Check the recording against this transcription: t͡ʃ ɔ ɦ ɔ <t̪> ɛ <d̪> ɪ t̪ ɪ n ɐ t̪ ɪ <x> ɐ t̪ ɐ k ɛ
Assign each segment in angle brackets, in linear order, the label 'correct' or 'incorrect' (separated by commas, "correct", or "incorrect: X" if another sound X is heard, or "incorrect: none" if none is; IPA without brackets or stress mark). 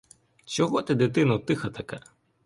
correct, correct, correct